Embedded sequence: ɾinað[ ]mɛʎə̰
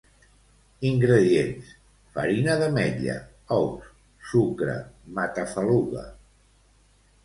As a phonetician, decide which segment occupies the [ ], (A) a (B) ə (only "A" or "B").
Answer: B